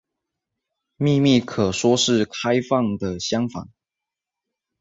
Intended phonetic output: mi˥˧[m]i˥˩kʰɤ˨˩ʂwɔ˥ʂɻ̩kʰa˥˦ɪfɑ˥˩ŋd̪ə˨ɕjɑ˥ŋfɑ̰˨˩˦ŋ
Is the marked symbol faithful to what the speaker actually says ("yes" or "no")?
yes